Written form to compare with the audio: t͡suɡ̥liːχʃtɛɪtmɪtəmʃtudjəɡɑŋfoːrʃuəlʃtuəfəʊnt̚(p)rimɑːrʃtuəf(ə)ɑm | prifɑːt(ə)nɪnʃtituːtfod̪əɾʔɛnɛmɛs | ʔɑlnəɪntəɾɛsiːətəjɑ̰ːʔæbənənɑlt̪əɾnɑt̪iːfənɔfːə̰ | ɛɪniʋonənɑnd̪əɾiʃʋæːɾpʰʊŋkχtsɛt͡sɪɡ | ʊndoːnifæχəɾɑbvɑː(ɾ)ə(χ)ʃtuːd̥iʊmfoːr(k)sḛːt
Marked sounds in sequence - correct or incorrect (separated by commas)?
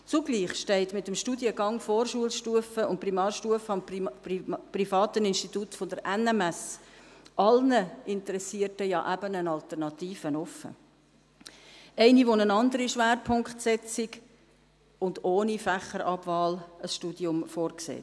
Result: correct, correct, correct, incorrect, incorrect, correct